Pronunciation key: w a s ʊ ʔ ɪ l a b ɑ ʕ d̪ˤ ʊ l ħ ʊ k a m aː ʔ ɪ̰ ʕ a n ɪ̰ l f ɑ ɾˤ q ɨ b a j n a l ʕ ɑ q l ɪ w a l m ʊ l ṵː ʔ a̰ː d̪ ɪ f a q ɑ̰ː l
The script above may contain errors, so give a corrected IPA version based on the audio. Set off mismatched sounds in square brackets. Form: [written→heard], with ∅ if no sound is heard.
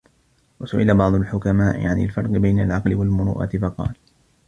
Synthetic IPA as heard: w a s ʊ ʔ ɪ l a b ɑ ʕ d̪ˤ ʊ l ħ ʊ k a m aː ʔ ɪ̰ ʕ a n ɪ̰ l f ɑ ɾˤ q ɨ b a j n a l ʕ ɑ q l ɪ w a l m ʊ [l→ɾ] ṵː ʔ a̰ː [d̪→t̪] ɪ f [a→ɑ] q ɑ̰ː l